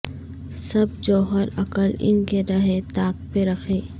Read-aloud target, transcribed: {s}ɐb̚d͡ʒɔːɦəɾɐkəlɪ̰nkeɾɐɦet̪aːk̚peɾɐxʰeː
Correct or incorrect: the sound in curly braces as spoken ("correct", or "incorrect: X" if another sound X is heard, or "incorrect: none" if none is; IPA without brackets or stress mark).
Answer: correct